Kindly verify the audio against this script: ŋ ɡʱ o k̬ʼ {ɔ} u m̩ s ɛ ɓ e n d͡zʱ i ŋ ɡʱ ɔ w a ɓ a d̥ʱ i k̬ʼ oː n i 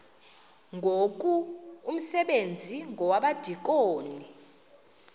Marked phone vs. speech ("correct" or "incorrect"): incorrect